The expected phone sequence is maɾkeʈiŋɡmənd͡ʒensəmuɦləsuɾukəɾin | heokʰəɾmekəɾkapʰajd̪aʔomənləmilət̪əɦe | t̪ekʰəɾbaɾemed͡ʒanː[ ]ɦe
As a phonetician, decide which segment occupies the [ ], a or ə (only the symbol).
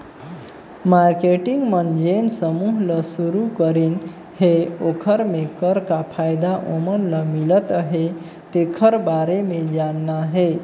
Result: a